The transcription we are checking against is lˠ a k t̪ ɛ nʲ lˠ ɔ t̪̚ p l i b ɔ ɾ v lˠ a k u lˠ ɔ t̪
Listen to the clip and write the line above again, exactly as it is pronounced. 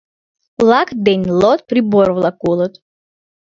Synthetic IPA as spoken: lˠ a k d̪ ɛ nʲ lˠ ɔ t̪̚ p ɾ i b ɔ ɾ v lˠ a k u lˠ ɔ t̪